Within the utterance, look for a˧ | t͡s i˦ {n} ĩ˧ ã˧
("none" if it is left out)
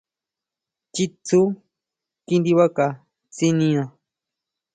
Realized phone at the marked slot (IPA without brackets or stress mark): n